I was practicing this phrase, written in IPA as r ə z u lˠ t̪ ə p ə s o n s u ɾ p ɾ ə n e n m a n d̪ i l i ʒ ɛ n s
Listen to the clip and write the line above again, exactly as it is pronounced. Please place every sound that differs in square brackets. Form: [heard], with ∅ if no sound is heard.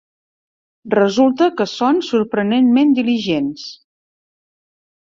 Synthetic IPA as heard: r ə z u lˠ t̪ ə [k] ə s o n s u ɾ p ɾ ə n e n m [e] n d̪ i l i ʒ [e] n s